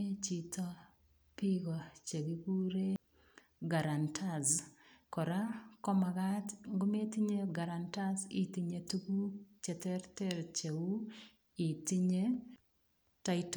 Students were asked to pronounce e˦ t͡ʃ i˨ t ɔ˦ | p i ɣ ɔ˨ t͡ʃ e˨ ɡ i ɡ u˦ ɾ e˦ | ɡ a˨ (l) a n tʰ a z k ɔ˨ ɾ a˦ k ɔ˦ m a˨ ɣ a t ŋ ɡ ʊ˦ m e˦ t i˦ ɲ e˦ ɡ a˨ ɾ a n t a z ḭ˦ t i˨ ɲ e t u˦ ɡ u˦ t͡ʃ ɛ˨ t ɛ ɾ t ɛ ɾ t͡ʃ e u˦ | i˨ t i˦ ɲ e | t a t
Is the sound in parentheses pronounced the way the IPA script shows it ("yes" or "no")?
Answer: no